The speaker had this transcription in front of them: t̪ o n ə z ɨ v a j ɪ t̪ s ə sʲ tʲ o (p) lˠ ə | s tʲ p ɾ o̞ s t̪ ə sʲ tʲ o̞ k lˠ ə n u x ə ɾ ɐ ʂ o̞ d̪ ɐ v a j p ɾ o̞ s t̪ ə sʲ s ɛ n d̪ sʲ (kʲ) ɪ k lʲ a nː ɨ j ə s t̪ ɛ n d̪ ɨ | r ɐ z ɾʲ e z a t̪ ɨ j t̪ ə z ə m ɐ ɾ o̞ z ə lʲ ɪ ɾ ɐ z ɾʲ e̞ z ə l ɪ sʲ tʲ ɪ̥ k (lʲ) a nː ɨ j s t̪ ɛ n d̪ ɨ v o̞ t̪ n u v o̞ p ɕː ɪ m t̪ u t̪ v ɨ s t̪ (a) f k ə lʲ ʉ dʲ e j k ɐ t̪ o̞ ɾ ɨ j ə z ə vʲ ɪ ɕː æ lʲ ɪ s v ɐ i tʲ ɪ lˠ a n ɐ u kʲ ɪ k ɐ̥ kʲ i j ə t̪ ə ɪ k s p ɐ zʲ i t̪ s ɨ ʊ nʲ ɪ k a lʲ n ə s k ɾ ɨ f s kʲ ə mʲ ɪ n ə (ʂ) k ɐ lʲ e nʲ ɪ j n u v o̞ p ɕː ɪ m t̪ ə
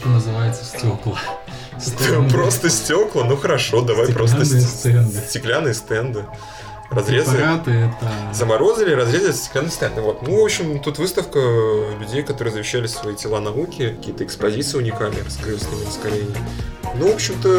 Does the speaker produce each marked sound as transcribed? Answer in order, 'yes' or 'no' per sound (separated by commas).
no, no, yes, no, no